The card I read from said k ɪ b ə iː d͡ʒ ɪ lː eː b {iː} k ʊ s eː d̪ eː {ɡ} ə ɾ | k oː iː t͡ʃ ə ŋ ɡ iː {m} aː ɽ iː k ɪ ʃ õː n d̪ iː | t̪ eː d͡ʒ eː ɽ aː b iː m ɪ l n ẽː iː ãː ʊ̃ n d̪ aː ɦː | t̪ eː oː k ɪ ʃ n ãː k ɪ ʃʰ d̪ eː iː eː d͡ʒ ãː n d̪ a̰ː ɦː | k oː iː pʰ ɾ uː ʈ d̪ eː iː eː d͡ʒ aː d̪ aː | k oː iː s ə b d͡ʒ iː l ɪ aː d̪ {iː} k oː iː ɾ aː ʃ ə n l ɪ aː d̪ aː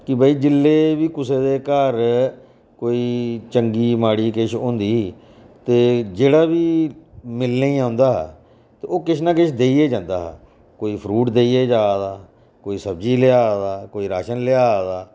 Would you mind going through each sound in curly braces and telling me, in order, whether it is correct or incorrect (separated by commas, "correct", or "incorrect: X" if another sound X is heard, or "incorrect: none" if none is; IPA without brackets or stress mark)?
correct, incorrect: k, correct, incorrect: aː